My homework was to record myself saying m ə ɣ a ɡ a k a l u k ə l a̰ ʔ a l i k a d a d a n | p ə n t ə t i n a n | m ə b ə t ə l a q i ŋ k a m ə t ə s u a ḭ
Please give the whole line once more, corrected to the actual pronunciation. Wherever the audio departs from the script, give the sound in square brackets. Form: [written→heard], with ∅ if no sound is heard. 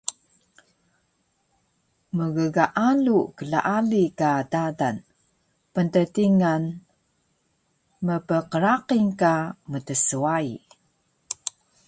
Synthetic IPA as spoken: m ə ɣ [a→ə] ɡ a [k→ʔ] a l u k ə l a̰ ʔ a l i k a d a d a n | p ə n t ə t i [n→ŋ] a n | m ə [b→p] ə [t→q] ə [l→ɾ] a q i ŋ k a m ə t ə s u a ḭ